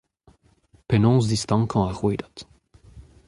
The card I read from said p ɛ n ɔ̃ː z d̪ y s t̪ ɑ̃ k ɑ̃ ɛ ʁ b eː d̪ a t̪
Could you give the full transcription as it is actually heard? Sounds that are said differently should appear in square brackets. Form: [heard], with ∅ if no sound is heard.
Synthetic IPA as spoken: p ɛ n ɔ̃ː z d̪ [i] s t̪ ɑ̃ k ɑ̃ [a] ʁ [w] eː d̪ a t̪